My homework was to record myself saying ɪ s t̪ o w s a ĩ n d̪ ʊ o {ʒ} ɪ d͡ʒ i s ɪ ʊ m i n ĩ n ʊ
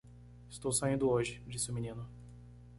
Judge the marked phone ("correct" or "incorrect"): correct